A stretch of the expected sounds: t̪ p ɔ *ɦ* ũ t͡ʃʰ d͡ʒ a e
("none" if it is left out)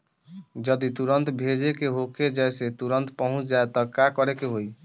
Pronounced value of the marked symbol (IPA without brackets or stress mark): ɦ